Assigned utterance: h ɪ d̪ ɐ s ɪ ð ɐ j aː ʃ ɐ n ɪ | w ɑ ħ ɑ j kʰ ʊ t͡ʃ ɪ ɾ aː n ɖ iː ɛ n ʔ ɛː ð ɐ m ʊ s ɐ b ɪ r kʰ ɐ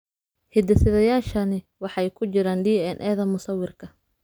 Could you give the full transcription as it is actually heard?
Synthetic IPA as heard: h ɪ d̪ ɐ s ɪ ð ɐ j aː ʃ ɐ n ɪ | w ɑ ħ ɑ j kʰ ʊ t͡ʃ ɪ ɾ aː n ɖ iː ɛ n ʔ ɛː ð ɐ m ʊ s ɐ w ɪ r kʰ ɐ